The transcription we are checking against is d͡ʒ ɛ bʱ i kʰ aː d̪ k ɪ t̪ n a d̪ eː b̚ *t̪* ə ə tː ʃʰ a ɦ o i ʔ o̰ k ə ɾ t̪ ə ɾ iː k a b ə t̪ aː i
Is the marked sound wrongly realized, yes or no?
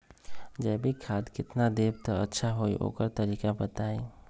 no